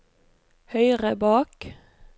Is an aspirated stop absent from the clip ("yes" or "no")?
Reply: yes